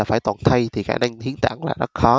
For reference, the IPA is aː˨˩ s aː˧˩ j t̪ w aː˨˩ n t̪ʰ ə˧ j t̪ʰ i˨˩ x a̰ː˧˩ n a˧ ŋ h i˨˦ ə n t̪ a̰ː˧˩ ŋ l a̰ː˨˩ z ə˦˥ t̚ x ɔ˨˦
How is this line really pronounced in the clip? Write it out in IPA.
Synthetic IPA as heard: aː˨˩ f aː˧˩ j t̪ w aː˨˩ n t̪ʰ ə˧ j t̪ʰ i˨˩ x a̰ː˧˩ n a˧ ŋ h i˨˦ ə n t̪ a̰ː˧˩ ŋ l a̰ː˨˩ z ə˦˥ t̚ x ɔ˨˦